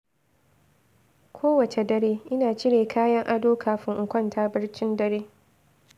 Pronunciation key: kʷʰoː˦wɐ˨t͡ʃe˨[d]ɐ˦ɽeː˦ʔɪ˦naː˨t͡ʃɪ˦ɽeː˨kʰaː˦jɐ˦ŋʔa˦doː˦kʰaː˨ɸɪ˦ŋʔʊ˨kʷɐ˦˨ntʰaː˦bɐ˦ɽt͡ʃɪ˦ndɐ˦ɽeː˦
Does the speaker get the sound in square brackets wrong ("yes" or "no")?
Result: no